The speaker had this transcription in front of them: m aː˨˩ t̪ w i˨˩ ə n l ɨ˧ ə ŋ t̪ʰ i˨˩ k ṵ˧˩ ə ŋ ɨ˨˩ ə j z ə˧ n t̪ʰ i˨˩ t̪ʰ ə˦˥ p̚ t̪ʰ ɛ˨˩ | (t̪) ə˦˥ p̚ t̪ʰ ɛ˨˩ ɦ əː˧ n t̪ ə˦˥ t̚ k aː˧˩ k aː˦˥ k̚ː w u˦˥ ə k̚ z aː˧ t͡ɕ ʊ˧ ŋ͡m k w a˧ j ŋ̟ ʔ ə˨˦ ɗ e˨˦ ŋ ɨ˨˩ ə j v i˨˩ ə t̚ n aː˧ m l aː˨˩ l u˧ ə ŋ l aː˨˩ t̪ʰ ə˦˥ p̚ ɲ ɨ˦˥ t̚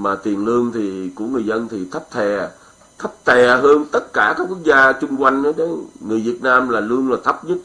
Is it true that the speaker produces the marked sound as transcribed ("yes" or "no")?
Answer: no